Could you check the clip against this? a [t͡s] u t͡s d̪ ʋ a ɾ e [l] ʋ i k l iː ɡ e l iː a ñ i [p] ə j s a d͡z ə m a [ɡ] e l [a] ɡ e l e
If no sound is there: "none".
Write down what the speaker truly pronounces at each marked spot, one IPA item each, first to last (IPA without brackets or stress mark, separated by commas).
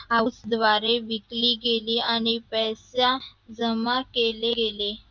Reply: none, none, p, k, e